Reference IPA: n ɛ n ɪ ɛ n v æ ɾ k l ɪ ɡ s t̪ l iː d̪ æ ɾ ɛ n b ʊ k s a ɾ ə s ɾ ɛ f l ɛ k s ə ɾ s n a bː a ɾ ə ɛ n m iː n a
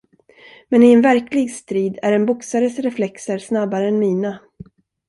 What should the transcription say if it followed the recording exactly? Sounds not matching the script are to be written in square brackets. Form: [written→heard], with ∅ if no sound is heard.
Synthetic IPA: [n→m] ɛ n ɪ ɛ n v æ ɾ k l ɪ ɡ s t̪ [l→ɾ] iː d̪ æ ɾ ɛ n b ʊ k s a ɾ ə s ɾ ɛ f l ɛ k s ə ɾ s n a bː a ɾ ə ɛ n m iː n a

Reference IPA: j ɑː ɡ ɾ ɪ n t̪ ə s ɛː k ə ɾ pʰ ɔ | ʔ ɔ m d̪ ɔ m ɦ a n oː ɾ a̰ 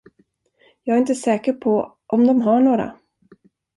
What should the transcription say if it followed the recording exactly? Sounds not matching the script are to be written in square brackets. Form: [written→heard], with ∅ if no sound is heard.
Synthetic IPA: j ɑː ɡ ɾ ɪ n t̪ ə s ɛː k ə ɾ pʰ ɔ | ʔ ɔ m d̪ ɔ m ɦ a [n→ɳ] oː ɾ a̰

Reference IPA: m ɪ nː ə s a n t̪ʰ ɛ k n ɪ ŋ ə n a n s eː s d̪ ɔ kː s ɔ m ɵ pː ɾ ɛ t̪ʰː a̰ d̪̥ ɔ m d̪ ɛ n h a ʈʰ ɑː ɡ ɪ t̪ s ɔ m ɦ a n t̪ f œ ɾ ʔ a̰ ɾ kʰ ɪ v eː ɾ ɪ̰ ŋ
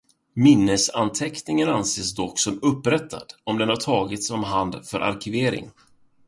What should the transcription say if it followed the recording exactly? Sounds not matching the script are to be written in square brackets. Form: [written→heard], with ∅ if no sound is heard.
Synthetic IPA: m ɪ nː ə s a n t̪ʰ ɛ k n ɪ ŋ ə n a n s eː s d̪ ɔ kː s ɔ m ɵ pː ɾ ɛ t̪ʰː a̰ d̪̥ ɔ m d̪ ɛ n h a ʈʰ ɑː ɡ ɪ t̪ s ɔ m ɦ a n [t̪→d̪] f œ ɾ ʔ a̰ ɾ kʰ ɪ v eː ɾ ɪ̰ ŋ

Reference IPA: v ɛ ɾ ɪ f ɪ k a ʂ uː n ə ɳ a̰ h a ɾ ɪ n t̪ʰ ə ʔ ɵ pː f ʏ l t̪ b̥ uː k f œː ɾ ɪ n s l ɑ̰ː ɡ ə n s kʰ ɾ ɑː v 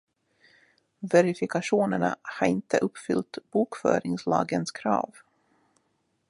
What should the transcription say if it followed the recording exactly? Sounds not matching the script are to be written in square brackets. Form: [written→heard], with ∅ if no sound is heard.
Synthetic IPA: v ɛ ɾ ɪ f ɪ k a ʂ uː n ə ɳ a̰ h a ɾ ɪ n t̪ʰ ə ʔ ɵ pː f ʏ l t̪ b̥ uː k f œː ɾ ɪ [n→ŋ] s l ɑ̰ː ɡ ə n s kʰ ɾ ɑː v

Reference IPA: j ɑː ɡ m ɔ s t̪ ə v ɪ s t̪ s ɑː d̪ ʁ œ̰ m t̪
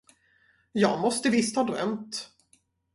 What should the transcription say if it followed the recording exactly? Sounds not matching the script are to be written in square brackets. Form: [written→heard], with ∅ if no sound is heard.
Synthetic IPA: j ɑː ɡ m ɔ s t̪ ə v ɪ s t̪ [s→h] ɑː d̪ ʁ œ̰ m t̪

